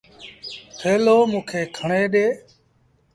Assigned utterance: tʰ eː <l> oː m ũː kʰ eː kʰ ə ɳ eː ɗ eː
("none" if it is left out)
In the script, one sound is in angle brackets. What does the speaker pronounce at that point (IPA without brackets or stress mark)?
l